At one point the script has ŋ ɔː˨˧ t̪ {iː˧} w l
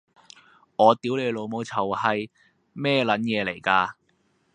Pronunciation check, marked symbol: incorrect: iː˨˥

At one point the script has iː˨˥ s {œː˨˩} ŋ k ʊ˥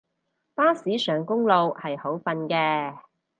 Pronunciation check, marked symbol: correct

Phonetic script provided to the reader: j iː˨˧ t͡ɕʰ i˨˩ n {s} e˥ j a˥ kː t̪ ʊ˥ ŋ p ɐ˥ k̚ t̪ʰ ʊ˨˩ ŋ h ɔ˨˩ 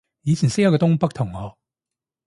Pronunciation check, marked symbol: correct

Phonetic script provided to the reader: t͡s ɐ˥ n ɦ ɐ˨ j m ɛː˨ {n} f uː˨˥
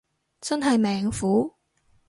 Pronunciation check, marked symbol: incorrect: ŋ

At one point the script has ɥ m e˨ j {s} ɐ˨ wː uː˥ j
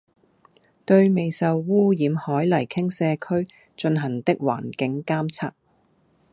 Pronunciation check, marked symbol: correct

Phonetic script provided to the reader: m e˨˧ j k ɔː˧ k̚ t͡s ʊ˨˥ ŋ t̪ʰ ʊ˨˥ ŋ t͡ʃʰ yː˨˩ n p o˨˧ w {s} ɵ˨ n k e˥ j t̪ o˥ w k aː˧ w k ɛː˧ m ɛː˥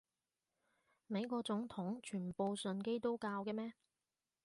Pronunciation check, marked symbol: correct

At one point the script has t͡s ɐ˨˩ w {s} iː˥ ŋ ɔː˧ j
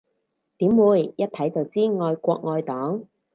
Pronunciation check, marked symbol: incorrect: t͡s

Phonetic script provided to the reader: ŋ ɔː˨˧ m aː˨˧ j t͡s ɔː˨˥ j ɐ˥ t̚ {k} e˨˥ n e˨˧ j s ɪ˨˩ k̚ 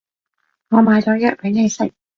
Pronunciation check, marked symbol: incorrect: p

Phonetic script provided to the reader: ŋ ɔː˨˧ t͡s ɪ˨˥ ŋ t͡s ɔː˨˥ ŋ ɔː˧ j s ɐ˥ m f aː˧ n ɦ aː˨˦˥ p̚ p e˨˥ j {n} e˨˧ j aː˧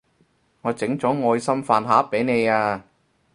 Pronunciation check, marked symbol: correct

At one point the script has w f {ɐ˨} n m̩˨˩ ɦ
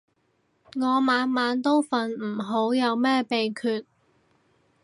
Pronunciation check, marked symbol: correct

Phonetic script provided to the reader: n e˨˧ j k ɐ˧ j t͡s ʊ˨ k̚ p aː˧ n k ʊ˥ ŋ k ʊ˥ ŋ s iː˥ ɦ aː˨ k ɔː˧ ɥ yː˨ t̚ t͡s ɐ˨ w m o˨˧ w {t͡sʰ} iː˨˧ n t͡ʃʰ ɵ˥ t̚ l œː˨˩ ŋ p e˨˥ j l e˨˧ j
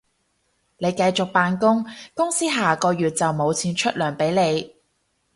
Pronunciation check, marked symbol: correct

